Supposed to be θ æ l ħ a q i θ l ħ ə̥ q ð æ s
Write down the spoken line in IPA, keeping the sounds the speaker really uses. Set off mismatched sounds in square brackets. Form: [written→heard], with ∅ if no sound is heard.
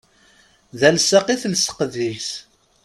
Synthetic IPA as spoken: [θ→ð] æ l [ħ→s] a q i θ l [ħ→s] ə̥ q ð [æ→i] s